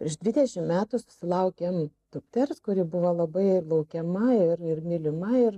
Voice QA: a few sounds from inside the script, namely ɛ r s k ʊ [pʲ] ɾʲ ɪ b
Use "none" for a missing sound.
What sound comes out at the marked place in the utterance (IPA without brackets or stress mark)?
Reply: none